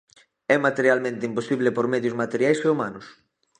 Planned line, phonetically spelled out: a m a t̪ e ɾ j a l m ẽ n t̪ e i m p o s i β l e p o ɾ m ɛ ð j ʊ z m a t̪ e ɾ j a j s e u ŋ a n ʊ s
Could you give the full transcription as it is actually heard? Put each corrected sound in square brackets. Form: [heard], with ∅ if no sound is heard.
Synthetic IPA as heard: [ɛ] m a t̪ e ɾ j a l m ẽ n t̪ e i m p o s i β l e p o ɾ m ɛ ð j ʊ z m a t̪ e ɾ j a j s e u [m] a n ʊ s